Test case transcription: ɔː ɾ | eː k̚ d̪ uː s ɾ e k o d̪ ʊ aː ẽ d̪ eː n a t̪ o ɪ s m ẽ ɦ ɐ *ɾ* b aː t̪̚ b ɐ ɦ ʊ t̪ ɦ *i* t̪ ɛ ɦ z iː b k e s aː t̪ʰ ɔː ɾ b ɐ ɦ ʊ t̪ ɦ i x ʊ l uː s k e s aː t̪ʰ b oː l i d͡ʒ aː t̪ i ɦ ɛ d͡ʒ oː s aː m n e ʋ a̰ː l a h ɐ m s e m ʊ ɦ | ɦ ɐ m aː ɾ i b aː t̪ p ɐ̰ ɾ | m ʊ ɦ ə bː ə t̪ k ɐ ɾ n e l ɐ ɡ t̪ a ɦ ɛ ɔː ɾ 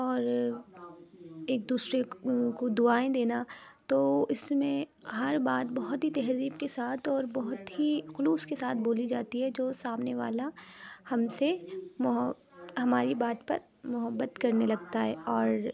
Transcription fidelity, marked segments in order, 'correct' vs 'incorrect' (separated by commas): correct, correct